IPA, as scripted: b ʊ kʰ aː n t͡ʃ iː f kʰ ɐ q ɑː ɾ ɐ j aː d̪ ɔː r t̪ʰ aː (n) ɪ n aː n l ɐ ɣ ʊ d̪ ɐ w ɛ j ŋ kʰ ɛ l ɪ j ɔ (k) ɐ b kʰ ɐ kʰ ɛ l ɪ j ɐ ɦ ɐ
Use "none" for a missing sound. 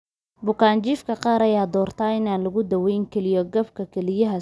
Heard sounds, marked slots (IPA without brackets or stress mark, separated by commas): none, ɡ